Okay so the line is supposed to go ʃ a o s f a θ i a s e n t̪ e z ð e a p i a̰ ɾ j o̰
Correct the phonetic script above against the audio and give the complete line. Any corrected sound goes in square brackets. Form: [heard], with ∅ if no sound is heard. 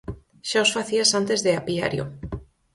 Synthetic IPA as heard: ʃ a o s f a θ i a s [a] n t̪ e z ð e a p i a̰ ɾ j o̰